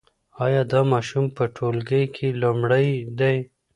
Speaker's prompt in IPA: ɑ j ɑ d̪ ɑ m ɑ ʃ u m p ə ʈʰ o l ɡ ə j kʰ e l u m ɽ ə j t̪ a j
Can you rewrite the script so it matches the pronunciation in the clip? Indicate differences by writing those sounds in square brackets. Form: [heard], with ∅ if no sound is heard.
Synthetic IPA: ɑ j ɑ d̪ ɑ m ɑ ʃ u m p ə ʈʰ o l ɡ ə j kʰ e l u m ɽ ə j [d̪] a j